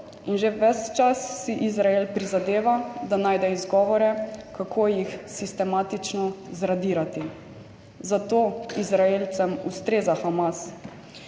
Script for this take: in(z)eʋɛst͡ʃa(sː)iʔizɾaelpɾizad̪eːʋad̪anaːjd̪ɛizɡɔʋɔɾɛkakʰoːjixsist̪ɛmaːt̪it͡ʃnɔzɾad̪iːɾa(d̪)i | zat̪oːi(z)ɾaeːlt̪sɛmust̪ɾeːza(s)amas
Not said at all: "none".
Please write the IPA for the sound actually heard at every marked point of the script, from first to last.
ʒ, sː, t̪, z, x

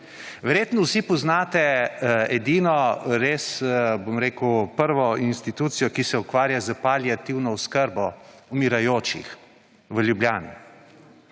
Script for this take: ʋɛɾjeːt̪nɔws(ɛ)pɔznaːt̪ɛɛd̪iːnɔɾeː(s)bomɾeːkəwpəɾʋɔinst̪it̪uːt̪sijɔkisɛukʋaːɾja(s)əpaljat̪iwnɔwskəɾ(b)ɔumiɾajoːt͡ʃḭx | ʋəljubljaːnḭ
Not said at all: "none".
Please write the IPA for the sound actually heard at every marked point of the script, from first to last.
i, s, z, b

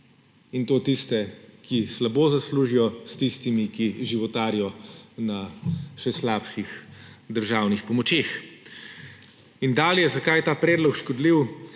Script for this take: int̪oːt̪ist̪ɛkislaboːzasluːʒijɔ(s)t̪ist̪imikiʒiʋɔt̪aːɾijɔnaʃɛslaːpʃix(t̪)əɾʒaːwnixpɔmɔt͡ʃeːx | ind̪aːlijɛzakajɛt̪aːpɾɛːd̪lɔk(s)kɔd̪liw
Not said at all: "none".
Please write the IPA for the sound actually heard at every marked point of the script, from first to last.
s, d̪, ʃ

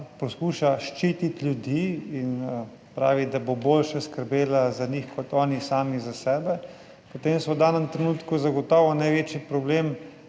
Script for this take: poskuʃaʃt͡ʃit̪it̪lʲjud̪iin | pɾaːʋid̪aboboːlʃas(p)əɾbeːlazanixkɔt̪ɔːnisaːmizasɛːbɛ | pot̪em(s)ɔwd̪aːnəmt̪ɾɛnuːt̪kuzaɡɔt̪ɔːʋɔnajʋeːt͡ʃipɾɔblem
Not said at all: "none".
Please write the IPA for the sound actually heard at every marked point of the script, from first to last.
k, s

